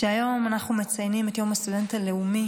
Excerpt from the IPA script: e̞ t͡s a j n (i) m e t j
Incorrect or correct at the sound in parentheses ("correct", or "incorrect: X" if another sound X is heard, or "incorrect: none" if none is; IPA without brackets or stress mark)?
correct